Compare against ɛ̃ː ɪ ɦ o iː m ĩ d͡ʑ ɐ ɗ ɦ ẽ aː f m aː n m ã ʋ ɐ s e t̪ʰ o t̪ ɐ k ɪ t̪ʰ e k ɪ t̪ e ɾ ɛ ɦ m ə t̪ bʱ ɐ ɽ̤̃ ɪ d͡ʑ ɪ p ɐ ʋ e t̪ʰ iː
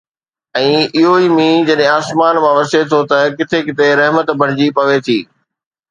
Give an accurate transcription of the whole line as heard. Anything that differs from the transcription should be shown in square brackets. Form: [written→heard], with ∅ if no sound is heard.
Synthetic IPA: ɛ̃ː ɪ ɦ o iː m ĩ d͡ʑ ɐ ɗ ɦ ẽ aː [f→s] m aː n m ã ʋ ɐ s e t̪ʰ o t̪ ɐ k ɪ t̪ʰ e k ɪ t̪ e ɾ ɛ ɦ m ə t̪ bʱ ɐ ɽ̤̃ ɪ d͡ʑ [ɪ→i] p ɐ ʋ e t̪ʰ iː